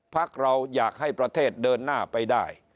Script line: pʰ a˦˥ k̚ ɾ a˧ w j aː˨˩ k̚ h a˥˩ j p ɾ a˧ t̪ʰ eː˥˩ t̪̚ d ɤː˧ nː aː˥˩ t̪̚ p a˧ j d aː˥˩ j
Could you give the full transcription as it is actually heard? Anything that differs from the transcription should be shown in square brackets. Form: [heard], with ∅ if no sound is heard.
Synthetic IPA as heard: pʰ a˦˥ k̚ ɾ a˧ w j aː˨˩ k̚ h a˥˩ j p ɾ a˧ t̪ʰ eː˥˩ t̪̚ d ɤː˧ nː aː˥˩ [∅] p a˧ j d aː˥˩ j